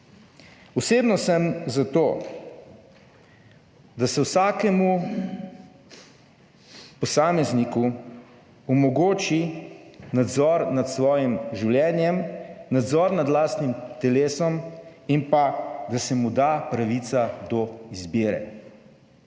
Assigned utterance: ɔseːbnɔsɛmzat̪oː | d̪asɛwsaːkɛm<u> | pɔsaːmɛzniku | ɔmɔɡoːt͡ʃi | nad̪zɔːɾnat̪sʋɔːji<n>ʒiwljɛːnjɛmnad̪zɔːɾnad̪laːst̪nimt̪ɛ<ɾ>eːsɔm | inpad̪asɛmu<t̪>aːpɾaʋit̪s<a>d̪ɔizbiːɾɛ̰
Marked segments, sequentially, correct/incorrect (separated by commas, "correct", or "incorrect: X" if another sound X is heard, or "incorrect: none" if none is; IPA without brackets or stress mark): correct, incorrect: m, incorrect: l, incorrect: d̪, correct